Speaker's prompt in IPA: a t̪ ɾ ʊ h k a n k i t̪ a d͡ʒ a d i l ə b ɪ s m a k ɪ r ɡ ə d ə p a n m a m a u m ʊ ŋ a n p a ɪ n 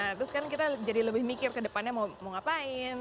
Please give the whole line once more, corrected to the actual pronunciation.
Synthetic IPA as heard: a t̪ ɾ ʊ s k a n k i t̪ a d͡ʒ a d i l ə b ɪ h m i k ɪ r k ə d ə p a n ɲ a m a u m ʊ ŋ a p a ɪ n